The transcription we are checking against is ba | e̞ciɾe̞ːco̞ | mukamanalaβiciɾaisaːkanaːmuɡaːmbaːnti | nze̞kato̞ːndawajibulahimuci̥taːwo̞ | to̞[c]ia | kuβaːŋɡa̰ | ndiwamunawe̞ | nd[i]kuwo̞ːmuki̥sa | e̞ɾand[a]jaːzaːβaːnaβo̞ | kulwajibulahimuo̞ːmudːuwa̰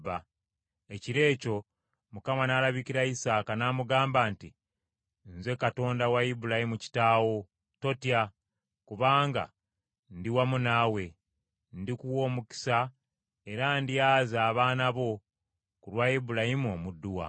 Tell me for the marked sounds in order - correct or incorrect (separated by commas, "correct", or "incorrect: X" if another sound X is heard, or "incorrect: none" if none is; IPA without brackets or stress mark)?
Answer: incorrect: t, correct, incorrect: i